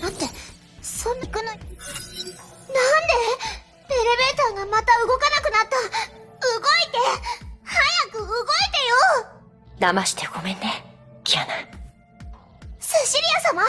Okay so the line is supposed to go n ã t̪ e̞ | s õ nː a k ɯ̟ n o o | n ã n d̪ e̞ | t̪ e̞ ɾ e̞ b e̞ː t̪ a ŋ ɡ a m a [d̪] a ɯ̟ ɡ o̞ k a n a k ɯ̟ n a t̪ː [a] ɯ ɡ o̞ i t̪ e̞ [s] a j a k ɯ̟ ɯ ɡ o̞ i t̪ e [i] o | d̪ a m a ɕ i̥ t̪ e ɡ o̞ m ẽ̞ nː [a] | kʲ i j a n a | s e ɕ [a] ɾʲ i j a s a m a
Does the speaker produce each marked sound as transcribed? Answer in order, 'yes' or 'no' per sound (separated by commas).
no, yes, no, no, no, no